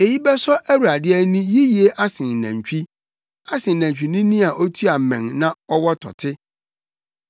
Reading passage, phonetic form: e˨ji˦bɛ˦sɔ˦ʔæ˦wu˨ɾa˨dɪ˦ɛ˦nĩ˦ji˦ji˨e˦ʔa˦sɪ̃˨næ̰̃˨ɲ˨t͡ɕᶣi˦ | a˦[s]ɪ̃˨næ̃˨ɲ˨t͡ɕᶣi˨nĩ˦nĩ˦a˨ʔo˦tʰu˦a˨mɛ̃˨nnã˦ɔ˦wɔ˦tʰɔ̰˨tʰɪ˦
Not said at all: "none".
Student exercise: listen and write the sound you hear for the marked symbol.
s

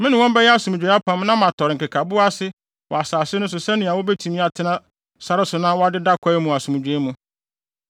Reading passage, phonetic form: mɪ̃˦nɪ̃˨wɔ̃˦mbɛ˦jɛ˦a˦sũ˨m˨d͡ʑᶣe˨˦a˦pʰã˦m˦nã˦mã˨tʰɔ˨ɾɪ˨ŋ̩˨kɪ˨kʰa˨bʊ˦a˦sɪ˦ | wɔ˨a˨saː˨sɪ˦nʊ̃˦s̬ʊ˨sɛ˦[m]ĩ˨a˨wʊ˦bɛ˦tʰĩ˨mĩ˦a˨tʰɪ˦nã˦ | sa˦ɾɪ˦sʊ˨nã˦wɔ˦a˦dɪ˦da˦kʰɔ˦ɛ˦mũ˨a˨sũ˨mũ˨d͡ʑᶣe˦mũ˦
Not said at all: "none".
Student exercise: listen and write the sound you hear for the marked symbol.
n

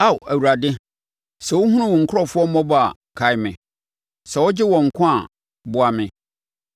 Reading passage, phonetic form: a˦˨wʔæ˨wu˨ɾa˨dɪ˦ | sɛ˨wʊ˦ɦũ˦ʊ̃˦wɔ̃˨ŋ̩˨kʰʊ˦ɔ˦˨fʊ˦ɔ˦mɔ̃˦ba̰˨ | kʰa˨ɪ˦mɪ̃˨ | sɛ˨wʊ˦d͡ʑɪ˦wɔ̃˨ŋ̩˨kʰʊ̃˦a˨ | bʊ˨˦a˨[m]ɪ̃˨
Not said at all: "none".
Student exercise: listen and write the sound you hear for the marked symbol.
m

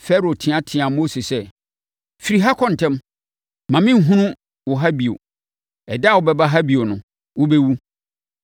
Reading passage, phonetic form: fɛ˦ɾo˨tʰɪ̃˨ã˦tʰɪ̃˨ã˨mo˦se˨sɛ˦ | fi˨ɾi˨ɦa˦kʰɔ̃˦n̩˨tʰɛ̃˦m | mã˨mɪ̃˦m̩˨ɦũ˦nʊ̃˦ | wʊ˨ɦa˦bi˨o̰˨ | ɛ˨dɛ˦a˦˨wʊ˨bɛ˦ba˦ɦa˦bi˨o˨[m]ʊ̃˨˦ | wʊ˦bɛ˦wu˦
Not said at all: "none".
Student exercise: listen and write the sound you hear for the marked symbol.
n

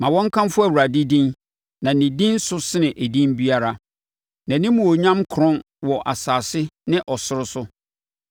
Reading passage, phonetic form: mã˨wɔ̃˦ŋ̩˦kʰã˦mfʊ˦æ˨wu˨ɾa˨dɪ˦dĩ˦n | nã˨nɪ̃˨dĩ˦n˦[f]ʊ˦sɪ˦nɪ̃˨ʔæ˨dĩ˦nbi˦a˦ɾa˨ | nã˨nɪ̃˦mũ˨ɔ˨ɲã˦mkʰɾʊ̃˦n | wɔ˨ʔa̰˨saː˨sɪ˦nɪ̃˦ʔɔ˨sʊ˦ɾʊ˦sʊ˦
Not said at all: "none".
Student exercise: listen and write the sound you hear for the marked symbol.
s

